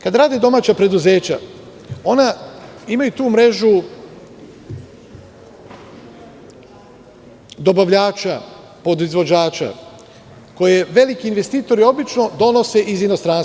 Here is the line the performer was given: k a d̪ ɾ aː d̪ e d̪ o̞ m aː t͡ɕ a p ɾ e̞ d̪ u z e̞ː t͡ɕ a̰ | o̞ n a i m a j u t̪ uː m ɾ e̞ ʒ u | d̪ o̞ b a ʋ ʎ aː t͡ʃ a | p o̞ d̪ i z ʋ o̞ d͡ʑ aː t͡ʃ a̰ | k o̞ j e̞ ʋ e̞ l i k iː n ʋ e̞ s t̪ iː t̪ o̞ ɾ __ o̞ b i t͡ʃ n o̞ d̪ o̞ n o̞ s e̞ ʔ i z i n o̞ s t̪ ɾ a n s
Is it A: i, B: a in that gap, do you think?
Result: A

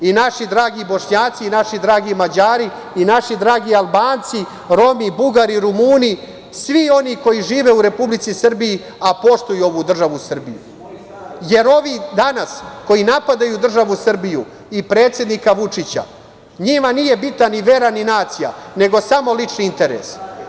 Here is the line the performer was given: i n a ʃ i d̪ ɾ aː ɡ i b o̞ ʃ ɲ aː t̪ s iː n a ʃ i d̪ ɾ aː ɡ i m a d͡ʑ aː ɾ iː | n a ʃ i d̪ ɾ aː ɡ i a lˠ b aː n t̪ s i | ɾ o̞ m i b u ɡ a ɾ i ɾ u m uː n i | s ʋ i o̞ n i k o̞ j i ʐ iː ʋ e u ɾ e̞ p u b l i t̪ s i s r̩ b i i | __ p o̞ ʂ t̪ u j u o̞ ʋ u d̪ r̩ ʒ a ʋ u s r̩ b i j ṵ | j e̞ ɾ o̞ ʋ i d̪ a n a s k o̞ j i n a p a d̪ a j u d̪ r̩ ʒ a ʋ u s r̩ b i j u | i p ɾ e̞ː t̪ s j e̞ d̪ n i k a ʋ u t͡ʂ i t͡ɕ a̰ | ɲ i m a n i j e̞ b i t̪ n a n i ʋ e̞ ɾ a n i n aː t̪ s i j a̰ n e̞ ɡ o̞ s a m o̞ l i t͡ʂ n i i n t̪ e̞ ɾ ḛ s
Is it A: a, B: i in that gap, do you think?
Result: A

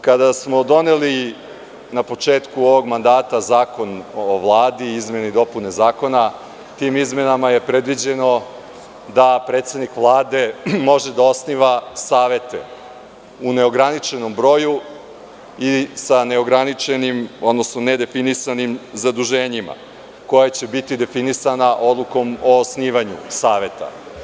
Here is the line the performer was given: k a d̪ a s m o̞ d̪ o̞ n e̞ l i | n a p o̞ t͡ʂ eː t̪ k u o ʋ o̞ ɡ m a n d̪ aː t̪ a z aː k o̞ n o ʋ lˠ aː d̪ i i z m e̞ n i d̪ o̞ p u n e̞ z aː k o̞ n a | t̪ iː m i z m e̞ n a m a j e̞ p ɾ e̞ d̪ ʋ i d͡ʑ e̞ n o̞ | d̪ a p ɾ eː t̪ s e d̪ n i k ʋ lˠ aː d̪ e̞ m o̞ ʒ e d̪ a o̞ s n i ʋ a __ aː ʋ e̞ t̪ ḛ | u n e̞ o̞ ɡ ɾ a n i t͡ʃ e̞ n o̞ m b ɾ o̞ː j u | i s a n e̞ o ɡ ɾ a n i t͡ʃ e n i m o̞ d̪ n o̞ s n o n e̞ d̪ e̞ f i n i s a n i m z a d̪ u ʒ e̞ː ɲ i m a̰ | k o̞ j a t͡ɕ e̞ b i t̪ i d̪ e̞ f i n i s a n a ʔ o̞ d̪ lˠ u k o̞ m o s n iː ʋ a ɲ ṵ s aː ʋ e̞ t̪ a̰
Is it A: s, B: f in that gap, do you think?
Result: A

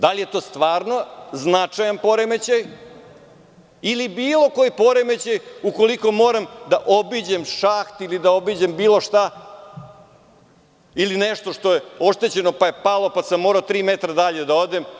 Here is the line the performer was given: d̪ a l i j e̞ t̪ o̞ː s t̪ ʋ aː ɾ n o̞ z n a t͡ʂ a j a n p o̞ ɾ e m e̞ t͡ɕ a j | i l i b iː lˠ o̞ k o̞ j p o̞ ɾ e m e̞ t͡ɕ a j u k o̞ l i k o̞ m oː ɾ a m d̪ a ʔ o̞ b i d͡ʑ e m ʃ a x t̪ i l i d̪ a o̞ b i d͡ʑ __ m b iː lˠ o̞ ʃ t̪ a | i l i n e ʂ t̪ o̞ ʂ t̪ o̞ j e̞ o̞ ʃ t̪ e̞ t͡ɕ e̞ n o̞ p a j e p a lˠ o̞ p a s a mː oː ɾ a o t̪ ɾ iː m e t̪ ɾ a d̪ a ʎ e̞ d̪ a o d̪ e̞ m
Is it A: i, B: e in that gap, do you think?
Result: B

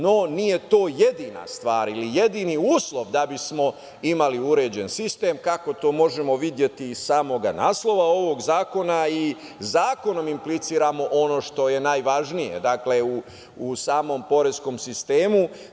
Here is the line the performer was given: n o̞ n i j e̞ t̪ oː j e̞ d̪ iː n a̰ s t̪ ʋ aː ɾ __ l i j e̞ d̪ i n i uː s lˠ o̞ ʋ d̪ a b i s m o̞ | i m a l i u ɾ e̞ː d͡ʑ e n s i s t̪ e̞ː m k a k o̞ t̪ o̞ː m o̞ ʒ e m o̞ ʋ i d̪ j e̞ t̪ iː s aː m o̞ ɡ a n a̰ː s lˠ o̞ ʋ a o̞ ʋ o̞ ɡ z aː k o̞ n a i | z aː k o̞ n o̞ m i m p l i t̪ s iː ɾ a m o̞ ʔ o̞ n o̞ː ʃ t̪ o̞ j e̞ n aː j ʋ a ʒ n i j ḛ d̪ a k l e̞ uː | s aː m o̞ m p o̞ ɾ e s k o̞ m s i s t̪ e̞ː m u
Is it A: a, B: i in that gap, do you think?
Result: B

